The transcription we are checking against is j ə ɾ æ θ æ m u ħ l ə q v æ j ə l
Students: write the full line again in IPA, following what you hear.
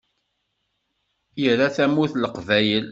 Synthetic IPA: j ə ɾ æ θ æ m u θ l ə q v æ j ə l